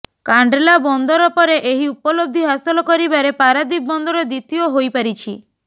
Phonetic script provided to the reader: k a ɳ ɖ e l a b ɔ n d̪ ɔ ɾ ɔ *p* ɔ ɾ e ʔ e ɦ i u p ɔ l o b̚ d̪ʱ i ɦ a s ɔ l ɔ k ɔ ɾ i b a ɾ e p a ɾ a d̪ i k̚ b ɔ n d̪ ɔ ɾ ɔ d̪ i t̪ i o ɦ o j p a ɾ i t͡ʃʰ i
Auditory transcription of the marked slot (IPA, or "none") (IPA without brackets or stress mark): p